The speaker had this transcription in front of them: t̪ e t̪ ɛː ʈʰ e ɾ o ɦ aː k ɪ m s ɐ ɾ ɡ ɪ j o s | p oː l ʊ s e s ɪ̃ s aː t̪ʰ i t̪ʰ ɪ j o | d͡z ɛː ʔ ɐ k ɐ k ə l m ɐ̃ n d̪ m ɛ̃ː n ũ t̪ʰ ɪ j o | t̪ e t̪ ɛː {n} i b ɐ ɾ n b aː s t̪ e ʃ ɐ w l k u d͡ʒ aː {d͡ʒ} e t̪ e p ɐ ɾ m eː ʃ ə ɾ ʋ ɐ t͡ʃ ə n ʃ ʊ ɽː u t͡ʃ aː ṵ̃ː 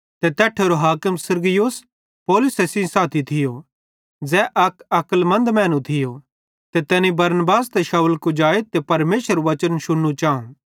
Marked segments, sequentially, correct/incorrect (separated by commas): correct, incorrect